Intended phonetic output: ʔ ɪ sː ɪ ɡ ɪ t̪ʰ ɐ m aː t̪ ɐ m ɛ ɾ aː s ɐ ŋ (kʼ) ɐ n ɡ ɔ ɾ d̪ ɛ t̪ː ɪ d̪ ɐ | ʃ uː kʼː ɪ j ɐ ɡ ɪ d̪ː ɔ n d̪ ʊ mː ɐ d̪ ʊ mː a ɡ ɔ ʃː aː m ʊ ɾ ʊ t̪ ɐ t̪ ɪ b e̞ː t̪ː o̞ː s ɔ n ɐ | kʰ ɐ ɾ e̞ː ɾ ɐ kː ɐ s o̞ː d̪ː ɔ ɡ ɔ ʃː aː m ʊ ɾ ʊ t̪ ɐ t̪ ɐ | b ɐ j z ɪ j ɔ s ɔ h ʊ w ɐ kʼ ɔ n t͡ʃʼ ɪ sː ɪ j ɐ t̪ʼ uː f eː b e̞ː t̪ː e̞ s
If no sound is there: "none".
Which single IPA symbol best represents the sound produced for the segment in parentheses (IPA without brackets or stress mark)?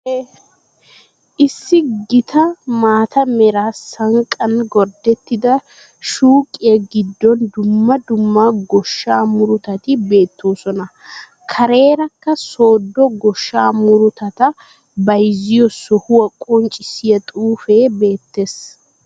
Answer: kʼ